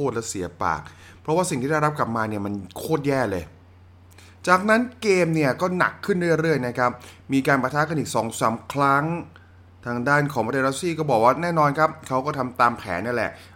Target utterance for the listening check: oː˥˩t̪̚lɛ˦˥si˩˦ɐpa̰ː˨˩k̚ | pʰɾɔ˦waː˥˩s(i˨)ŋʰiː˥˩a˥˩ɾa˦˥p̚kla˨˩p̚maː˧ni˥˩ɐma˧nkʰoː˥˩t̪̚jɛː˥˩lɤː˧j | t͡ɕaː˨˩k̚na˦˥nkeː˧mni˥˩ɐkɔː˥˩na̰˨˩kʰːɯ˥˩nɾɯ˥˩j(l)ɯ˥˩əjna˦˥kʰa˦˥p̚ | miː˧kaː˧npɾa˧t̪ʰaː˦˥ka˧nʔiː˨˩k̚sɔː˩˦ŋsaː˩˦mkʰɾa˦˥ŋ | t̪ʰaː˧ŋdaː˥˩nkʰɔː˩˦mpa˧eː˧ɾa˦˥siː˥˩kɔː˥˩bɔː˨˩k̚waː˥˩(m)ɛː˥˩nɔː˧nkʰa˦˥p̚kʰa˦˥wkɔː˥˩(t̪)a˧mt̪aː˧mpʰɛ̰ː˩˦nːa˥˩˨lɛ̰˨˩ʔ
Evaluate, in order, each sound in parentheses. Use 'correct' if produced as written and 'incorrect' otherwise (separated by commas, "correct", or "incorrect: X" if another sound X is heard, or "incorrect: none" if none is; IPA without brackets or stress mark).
correct, incorrect: ɾ, incorrect: n, incorrect: t̪ʰ